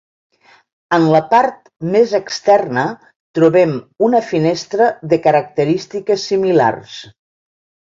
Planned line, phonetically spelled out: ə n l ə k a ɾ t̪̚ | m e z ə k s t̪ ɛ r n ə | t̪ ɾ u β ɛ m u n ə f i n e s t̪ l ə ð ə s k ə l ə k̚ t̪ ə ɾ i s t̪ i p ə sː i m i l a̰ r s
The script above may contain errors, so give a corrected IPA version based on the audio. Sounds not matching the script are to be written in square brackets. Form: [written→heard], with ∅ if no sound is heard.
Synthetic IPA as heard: ə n l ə [k→p] a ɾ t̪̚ | m e z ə k s t̪ ɛ r n ə | t̪ ɾ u β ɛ m u n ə f i n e s t̪ [l→ɾ] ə ð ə [s→∅] k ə [l→ɾ] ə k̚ t̪ ə ɾ i s t̪ i [p→k] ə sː i m i l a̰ r s

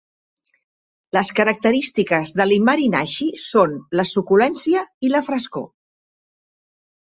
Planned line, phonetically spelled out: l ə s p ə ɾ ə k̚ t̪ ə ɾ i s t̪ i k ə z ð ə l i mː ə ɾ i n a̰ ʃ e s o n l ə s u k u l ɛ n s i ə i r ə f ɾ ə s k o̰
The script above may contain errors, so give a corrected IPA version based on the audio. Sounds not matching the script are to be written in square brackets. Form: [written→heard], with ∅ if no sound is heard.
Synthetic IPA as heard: l ə s [p→k] ə ɾ ə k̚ t̪ ə ɾ i s t̪ i k ə z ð ə l i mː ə ɾ i n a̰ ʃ [e→i] s o n l ə s u k u l ɛ n s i ə i [r→l] ə f ɾ ə s k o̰

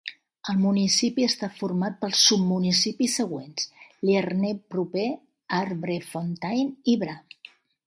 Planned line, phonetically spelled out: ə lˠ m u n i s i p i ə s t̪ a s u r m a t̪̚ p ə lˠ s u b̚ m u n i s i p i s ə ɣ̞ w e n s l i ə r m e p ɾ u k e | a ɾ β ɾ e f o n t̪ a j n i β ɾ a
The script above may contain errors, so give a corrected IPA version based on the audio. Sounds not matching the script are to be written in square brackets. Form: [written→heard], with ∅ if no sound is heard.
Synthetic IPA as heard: ə lˠ m u n i s i p i ə s t̪ a [s→f] u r m a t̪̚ p ə lˠ s u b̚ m u n i s i p i s ə ɣ̞ w e n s l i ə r [m→n] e p ɾ u [k→p] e | a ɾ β ɾ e f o n t̪ a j n i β ɾ a

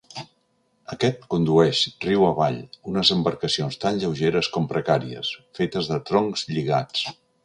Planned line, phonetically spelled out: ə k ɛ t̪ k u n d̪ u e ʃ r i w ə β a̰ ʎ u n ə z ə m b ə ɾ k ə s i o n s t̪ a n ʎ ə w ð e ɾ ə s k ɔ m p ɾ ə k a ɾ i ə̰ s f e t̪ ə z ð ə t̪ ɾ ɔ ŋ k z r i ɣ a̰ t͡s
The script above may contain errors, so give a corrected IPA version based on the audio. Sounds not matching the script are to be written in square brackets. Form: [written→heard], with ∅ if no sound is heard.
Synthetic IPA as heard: ə k ɛ t̪ k u n d̪ u [e→ɛ] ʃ r i w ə β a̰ ʎ u n ə z ə m b ə ɾ k ə s i o n s t̪ a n ʎ ə w [ð→ʒ] e ɾ ə s k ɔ m p ɾ ə k a ɾ i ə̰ s f e t̪ ə z ð ə t̪ ɾ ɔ ŋ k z [r→ʎ] i ɣ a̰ t͡s

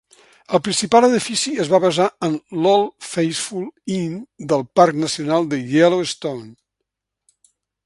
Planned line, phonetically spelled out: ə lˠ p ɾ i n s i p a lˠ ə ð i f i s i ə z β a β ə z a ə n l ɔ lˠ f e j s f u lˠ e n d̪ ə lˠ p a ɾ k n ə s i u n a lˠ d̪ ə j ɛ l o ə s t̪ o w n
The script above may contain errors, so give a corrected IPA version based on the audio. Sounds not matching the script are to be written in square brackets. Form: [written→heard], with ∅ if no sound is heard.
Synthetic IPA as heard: ə lˠ p ɾ i n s i p a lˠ ə ð i f i s i ə z β a β ə z a ə n l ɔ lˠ f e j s f u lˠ [e→i] n d̪ ə lˠ p a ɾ k n ə s i u n a lˠ d̪ ə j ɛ l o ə s t̪ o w n

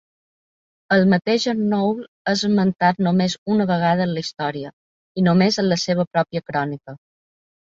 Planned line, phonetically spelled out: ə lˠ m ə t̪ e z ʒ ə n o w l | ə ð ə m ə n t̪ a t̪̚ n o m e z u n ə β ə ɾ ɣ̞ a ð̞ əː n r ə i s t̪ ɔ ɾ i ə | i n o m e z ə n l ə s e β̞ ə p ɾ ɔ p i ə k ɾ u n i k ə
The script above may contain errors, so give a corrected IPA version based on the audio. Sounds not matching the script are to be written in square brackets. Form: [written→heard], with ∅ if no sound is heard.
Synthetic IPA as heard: ə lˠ m ə t̪ e [z→∅] ʒ ə n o w l | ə [ð→z] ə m ə n t̪ a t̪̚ n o m e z u n ə β ə [ɾ→∅] ɣ̞ a ð̞ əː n [r→l] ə i s t̪ ɔ ɾ i ə | i n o m e z ə n l ə s e β̞ ə p ɾ ɔ p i ə k ɾ [u→ɔ] n i k ə

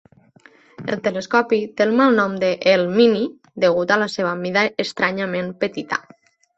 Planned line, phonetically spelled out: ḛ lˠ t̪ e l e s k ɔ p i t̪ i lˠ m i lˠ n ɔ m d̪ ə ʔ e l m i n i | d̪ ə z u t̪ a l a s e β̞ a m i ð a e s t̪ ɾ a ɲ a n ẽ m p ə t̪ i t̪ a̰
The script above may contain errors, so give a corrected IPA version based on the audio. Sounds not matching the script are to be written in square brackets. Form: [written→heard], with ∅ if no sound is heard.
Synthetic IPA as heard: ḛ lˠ t̪ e l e s k ɔ p i t̪ [i→e] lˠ m [i→a] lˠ n ɔ m d̪ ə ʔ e l m i n i | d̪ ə [z→ɣ] u t̪ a l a s e β̞ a m i ð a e s t̪ ɾ a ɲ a [n→m] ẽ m p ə t̪ i t̪ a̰

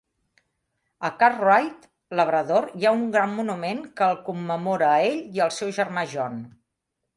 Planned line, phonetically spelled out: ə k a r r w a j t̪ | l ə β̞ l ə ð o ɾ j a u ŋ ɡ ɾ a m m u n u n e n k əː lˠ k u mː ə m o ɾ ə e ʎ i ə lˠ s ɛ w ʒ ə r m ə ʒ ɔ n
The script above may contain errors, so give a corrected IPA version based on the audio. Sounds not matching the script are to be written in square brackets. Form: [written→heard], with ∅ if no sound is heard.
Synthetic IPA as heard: ə k a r r w a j t̪ | l ə β̞ [l→ɾ] ə ð o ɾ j a u ŋ ɡ ɾ a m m u n u [n→m] e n k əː lˠ k u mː ə m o ɾ ə e ʎ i ə lˠ s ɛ w ʒ ə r m [ə→a] ʒ ɔ n

